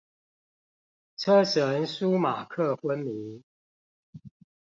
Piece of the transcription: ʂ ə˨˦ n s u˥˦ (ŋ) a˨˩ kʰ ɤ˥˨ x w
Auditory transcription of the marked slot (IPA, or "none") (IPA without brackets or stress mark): m